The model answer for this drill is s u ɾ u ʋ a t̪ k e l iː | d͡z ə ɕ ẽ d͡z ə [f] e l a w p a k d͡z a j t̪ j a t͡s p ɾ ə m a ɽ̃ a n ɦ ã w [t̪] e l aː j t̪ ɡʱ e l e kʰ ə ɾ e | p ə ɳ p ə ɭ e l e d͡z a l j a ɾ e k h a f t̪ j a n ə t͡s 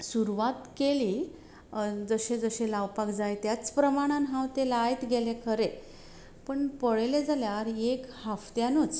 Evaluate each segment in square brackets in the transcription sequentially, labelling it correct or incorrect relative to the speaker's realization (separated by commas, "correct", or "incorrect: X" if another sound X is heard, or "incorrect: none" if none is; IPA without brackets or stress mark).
incorrect: ɕ, correct